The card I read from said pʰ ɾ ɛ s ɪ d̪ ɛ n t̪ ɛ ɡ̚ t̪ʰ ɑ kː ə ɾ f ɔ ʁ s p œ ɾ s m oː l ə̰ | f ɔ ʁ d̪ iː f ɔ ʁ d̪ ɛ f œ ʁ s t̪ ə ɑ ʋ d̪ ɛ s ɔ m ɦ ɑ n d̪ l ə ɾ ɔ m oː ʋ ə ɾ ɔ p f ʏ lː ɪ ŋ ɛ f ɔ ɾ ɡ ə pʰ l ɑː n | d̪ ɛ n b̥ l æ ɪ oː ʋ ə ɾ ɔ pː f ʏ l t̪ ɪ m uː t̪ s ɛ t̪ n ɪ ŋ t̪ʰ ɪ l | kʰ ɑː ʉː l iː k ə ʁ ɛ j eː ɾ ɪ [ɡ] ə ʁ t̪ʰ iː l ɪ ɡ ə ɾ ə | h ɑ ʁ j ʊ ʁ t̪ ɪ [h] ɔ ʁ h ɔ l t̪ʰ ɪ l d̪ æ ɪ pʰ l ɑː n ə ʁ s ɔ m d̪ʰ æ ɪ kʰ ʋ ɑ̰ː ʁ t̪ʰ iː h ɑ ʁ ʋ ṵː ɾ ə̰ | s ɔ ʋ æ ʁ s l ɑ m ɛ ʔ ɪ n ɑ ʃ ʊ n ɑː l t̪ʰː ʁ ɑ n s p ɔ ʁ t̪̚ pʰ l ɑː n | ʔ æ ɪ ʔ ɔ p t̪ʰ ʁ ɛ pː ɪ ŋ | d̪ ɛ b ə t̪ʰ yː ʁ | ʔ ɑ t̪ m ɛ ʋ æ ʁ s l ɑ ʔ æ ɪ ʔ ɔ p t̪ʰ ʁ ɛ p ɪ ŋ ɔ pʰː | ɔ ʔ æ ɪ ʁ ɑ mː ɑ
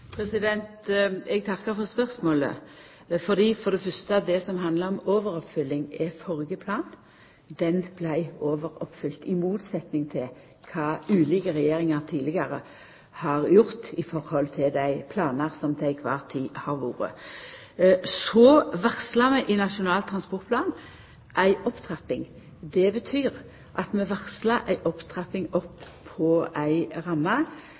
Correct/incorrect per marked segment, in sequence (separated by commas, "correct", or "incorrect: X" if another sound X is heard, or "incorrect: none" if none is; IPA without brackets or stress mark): incorrect: ŋ, incorrect: f